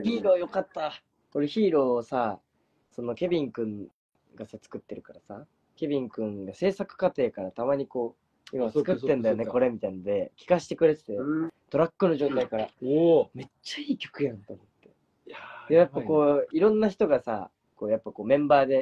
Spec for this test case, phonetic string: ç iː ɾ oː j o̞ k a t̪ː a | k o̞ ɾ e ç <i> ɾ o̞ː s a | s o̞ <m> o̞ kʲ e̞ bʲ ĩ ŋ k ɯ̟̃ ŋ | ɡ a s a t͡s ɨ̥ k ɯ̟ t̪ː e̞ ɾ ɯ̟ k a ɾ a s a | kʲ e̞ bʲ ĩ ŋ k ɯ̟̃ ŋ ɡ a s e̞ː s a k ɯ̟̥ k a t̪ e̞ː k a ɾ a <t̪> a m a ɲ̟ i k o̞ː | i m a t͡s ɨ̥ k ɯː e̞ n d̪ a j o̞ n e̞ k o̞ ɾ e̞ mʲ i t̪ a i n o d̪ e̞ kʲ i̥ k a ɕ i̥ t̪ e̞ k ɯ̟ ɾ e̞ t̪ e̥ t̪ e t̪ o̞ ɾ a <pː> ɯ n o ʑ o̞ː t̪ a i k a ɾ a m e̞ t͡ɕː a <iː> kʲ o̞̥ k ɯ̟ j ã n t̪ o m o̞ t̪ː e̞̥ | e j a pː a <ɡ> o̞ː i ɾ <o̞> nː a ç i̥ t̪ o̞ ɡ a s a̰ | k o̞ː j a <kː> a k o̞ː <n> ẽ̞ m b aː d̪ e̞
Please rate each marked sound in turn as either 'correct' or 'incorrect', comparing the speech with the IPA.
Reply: incorrect: iː, incorrect: n, correct, incorrect: kː, correct, incorrect: k, incorrect: õ̞, incorrect: pː, incorrect: m

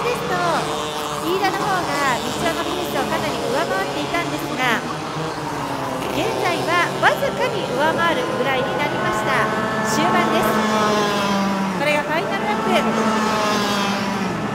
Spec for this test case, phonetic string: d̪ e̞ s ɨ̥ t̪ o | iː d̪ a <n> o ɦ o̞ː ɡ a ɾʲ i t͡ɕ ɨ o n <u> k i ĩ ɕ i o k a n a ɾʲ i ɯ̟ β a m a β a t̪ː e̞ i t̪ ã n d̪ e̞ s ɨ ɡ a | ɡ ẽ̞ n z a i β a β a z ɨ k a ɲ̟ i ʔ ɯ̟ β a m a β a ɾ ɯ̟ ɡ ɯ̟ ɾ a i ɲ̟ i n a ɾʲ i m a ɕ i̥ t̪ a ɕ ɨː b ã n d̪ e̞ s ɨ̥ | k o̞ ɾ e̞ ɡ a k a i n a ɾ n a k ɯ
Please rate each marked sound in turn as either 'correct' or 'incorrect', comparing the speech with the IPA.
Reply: correct, incorrect: o

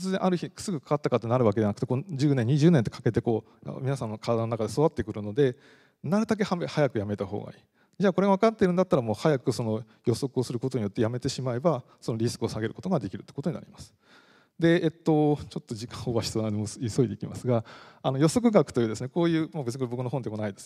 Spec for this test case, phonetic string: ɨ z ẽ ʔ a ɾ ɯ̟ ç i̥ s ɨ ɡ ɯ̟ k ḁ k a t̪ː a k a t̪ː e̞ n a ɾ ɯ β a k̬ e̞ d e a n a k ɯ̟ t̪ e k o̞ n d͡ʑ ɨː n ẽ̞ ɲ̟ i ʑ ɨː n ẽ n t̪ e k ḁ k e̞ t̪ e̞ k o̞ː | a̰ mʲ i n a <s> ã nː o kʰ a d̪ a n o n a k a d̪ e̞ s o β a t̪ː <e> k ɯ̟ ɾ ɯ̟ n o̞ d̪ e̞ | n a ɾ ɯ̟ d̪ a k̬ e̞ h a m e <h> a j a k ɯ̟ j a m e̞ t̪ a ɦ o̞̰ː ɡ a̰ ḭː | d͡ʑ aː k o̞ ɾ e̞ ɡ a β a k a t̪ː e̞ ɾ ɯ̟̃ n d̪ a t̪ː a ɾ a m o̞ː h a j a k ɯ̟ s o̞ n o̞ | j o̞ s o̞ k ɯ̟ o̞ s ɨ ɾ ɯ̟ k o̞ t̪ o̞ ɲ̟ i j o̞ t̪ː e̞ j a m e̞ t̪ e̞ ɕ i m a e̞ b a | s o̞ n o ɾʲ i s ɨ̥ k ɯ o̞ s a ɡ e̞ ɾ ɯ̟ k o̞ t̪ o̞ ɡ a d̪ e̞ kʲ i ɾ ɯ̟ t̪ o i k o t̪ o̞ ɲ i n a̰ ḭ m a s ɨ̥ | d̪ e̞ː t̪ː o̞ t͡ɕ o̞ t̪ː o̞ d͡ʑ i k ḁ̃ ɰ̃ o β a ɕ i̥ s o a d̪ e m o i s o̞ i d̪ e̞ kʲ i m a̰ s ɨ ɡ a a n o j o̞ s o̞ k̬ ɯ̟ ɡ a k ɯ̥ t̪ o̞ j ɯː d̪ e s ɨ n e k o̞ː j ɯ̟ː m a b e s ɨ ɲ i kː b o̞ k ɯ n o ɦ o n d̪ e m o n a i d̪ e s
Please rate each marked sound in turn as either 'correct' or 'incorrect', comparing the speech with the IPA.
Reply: correct, correct, correct

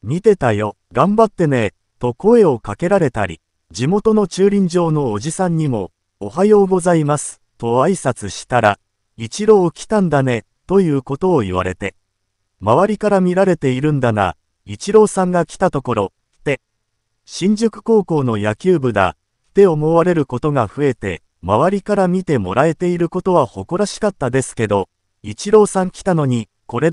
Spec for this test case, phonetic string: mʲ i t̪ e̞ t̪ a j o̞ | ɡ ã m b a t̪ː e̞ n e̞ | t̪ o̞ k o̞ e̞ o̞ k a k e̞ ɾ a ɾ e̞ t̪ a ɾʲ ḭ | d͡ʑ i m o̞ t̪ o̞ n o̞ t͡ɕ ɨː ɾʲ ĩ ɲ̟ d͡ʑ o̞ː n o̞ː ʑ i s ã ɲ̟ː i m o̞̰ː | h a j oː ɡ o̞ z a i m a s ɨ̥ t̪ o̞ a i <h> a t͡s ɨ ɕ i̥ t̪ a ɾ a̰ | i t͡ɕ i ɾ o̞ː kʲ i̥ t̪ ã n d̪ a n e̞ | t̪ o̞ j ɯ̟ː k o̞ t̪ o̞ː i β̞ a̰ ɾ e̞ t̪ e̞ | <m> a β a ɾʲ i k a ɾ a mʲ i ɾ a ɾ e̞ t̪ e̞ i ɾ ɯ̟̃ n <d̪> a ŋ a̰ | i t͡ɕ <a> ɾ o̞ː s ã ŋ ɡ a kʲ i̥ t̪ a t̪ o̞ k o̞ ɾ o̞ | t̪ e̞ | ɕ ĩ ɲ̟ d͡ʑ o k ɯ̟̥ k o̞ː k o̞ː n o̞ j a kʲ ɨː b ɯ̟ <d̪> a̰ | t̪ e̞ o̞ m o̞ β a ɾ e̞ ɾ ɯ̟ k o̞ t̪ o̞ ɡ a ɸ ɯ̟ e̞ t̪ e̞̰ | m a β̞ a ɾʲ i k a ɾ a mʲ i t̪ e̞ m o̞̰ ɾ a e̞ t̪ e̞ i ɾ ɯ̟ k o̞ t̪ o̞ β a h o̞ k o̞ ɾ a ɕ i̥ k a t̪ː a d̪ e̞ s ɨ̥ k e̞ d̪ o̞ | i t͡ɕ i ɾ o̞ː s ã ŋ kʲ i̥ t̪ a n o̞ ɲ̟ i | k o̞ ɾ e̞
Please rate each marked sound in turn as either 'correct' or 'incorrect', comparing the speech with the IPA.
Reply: incorrect: s, correct, correct, incorrect: i, correct

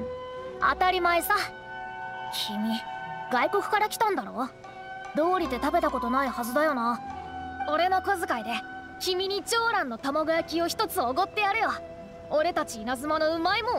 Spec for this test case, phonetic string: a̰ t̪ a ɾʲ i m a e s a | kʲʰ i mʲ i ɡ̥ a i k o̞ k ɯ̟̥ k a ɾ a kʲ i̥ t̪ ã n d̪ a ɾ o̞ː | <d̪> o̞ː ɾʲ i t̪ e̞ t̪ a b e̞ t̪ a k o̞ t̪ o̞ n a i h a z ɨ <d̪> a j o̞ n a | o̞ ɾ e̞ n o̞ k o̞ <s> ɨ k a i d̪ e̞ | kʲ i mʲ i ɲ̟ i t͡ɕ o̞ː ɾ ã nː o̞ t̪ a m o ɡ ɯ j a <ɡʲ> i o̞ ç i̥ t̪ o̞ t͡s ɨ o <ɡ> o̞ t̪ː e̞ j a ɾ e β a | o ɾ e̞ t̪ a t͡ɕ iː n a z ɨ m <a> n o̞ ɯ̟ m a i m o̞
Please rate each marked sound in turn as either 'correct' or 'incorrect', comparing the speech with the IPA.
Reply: correct, correct, incorrect: z, incorrect: kʲ, correct, correct

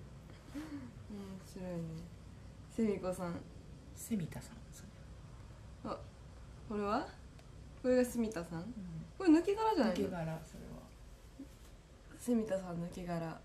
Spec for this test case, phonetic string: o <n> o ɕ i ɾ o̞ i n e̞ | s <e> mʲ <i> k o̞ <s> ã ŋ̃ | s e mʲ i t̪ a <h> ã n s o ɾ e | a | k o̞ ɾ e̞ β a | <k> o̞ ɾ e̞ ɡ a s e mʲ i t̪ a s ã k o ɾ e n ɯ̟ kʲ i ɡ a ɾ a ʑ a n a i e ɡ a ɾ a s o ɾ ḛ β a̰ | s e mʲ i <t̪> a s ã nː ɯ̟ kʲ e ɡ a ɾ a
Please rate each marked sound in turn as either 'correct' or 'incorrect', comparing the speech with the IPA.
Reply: incorrect: m, correct, correct, correct, incorrect: s, correct, correct

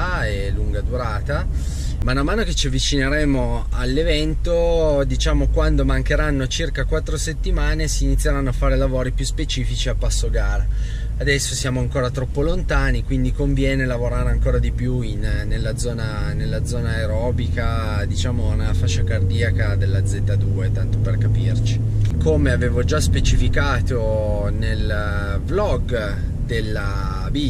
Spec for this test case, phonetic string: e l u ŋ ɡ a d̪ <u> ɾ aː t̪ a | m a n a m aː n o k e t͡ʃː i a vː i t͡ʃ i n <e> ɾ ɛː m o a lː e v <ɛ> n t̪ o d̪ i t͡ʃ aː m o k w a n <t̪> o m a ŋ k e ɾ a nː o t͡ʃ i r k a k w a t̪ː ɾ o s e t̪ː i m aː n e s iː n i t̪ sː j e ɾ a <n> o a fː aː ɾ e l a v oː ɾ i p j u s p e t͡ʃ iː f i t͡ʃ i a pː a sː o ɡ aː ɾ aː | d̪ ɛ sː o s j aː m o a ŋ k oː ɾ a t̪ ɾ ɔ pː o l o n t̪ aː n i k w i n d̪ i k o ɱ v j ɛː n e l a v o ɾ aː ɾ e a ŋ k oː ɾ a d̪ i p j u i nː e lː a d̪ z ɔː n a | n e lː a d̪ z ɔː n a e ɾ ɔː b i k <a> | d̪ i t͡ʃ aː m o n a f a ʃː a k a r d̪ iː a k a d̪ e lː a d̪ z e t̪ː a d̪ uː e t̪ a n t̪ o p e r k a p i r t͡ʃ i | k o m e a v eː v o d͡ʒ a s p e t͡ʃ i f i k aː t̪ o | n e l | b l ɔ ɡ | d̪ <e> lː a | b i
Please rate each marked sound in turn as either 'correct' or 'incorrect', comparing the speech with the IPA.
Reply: correct, correct, correct, incorrect: d̪, incorrect: nː, correct, correct

